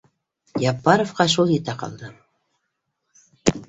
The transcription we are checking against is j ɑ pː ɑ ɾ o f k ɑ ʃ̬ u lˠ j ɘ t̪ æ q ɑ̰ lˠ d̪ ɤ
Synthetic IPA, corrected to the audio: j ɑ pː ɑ ɾ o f q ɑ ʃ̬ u lˠ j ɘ t̪ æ q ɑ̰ lˠ d̪ ɤ